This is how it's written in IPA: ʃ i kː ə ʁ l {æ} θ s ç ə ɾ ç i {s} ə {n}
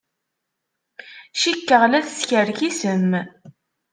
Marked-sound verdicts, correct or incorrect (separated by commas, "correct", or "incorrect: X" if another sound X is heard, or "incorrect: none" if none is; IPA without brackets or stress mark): correct, correct, incorrect: m